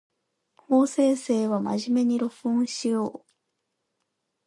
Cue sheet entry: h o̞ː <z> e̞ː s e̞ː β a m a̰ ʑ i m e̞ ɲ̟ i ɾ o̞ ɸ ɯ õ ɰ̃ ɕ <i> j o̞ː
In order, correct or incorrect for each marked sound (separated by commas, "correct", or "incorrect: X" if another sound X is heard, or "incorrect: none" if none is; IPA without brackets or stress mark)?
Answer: incorrect: s, correct